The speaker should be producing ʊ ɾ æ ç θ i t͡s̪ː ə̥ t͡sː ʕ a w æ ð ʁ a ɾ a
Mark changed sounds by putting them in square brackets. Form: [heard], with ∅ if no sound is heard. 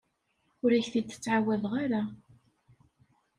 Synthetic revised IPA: ʊ ɾ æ ç θ i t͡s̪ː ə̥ t͡sː ʕ a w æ ð ʁ a ɾ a